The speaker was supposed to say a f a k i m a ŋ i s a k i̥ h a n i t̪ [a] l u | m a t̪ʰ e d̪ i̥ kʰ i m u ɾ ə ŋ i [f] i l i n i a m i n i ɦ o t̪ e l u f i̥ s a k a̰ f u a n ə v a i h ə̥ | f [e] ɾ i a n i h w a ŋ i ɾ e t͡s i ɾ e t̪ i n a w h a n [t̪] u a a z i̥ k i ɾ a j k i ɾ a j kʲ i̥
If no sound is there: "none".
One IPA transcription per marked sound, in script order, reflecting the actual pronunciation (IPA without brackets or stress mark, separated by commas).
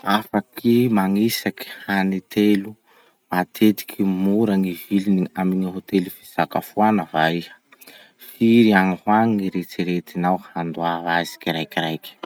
e, v, i, d̪